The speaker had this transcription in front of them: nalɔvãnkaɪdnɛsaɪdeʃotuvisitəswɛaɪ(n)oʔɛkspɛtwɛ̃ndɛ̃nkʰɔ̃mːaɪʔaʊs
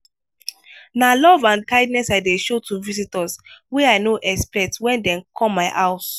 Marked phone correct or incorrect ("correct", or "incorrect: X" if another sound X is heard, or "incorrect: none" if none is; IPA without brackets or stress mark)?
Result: correct